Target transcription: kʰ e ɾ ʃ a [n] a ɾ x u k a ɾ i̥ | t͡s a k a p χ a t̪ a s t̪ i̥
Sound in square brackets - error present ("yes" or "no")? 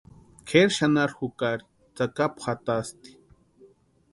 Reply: no